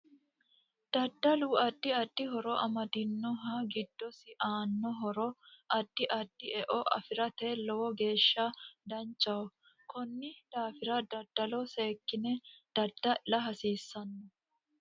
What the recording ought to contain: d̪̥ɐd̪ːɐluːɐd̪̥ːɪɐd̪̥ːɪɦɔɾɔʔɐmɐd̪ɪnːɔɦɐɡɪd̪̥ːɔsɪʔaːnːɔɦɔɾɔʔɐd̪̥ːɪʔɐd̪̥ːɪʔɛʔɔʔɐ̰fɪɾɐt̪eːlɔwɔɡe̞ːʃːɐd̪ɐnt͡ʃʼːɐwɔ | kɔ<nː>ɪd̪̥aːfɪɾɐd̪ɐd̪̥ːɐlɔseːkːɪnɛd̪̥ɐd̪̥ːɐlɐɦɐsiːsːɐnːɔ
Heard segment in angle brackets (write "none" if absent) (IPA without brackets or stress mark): nː